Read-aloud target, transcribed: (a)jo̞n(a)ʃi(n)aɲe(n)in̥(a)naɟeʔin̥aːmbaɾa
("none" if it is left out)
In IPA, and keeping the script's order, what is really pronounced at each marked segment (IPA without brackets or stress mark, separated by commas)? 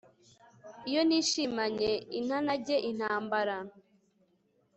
i, i, m, none, a